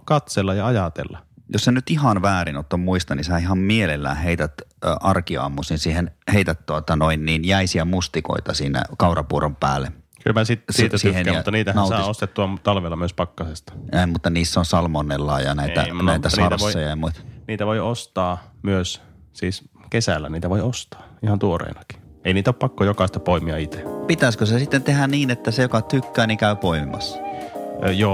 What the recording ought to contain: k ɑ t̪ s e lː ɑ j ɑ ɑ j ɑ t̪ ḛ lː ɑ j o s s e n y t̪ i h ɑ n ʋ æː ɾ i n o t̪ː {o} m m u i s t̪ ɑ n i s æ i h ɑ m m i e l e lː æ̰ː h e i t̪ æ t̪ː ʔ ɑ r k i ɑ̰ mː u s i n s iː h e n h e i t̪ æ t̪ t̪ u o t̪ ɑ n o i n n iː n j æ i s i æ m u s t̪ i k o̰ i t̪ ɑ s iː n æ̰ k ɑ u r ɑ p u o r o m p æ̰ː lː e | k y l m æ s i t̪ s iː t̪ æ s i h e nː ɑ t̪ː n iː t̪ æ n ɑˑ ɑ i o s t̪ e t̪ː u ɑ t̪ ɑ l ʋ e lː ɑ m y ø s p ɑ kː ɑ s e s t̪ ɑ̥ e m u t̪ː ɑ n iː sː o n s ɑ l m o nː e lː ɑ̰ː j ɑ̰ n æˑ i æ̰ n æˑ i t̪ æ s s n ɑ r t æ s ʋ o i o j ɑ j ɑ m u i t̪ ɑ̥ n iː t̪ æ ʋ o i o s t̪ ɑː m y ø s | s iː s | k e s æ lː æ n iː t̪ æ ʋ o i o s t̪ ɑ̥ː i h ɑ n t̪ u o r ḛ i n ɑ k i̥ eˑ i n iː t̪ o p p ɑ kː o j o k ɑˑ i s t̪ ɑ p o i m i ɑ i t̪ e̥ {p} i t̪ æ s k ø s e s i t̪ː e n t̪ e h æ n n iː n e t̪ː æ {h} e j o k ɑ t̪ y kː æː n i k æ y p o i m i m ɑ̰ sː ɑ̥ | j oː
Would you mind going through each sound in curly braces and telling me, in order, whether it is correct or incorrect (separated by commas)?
correct, correct, incorrect